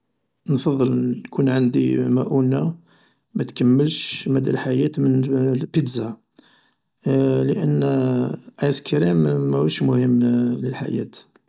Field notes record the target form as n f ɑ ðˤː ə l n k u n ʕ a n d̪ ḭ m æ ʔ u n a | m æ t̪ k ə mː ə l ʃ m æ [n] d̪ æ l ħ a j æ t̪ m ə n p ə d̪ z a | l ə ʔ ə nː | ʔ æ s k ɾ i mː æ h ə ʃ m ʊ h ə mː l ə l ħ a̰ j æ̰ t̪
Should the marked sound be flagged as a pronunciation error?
yes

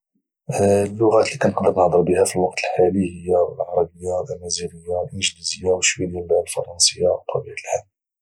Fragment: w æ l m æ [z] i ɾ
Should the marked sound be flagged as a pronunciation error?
no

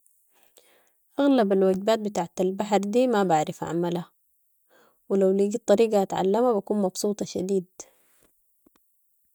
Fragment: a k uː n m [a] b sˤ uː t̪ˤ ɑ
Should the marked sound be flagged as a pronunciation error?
yes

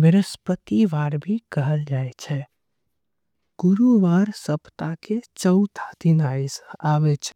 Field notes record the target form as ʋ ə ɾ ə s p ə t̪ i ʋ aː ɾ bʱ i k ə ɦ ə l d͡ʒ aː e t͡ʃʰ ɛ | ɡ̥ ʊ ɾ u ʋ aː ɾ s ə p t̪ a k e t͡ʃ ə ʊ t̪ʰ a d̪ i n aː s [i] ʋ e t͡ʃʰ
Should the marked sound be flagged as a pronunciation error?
yes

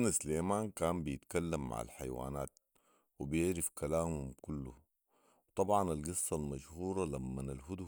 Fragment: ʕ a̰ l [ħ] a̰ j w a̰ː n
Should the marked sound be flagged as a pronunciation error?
no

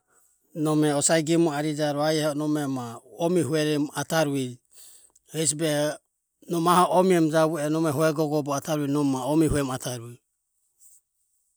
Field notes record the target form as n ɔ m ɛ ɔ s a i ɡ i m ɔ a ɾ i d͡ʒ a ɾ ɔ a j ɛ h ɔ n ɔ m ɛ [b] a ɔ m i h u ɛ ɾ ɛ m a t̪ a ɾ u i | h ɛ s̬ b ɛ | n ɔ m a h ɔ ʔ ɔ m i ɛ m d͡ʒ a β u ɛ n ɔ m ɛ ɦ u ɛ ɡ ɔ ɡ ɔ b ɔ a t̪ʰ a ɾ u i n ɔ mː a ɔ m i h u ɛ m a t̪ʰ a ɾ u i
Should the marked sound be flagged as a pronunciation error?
yes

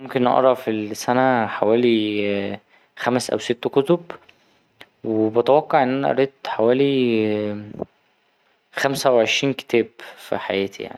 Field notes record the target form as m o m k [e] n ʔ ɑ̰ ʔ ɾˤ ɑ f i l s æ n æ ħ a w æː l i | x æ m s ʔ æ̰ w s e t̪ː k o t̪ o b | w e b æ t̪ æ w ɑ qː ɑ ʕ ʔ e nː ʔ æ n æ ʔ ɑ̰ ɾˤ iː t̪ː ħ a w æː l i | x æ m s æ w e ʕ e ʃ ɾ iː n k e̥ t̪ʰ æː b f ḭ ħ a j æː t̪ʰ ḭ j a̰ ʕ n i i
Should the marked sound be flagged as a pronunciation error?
no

